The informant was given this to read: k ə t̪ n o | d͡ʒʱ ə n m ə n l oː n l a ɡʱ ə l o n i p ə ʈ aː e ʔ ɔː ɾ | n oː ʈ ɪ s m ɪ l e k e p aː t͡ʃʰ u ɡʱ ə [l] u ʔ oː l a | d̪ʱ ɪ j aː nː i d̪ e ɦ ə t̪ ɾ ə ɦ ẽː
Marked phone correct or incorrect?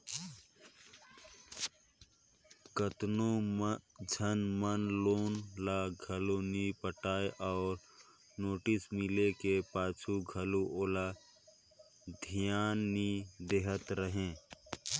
correct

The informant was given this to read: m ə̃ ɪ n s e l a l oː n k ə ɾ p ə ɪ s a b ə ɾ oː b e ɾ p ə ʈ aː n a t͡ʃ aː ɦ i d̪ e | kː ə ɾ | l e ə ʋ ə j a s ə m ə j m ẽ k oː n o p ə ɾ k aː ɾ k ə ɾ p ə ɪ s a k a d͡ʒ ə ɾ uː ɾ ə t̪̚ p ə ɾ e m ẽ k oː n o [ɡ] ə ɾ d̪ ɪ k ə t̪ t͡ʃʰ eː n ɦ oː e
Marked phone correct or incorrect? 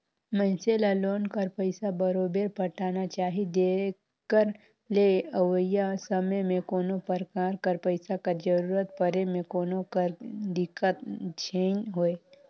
incorrect: k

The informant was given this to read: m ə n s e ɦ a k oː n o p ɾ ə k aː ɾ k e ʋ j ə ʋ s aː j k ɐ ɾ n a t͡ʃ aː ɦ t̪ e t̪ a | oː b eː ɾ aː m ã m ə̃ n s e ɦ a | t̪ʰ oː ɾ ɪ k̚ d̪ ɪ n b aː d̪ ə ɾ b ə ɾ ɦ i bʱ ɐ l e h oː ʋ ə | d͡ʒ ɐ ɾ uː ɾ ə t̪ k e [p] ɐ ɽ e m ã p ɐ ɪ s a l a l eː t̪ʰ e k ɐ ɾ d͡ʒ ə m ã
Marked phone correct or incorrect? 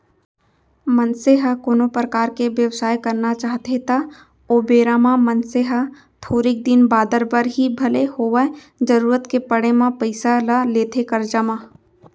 correct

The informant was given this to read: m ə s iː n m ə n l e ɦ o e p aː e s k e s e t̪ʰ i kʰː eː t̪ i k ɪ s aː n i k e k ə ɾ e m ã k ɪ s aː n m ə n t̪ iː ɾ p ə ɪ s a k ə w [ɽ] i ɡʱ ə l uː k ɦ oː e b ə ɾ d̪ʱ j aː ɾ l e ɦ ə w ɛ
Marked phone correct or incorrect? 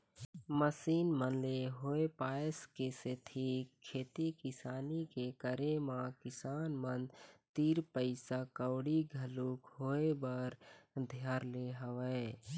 correct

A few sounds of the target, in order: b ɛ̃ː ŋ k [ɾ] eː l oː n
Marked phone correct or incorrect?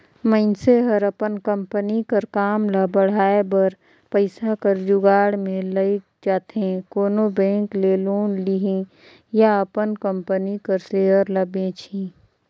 incorrect: l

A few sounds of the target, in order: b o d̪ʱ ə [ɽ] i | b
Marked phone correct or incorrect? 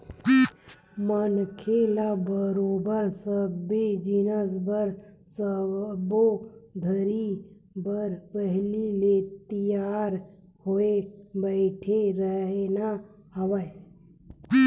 incorrect: ɾ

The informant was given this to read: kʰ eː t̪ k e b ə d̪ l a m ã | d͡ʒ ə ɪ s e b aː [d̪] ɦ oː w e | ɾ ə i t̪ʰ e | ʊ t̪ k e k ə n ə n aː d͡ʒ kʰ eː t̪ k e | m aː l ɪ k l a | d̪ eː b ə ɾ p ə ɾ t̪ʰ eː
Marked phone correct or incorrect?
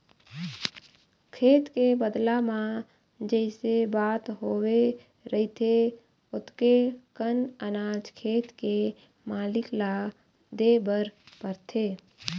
incorrect: t̪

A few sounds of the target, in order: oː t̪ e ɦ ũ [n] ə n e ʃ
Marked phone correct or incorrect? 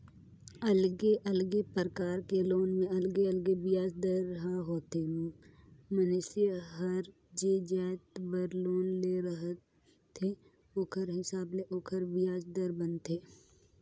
incorrect: m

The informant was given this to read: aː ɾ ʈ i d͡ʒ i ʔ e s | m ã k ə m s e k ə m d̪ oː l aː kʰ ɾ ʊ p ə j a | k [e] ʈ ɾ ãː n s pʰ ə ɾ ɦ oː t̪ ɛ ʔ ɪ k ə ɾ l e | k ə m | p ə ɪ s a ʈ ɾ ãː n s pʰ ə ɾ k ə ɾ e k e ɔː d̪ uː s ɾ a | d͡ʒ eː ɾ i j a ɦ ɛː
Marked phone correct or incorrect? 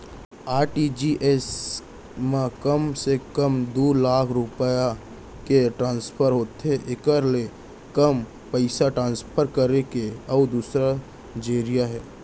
correct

